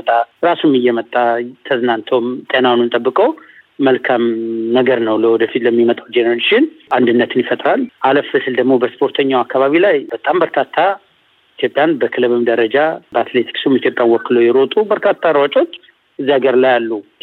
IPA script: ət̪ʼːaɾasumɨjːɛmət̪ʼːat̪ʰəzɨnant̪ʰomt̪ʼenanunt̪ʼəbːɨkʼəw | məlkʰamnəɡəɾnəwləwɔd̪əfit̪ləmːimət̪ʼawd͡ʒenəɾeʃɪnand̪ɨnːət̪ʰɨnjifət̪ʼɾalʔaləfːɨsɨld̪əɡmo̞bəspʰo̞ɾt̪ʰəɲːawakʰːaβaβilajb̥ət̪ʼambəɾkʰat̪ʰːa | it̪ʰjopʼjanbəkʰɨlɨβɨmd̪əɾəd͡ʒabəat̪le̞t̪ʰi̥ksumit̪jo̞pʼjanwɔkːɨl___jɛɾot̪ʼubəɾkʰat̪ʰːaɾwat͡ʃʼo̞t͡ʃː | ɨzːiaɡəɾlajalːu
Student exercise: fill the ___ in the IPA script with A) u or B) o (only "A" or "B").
B